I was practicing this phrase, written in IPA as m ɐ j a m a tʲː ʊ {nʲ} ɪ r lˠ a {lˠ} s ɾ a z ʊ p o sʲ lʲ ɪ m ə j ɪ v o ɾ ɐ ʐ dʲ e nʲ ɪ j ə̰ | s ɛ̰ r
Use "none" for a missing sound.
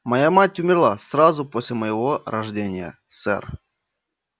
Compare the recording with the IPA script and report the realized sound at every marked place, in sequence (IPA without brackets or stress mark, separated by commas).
mʲ, none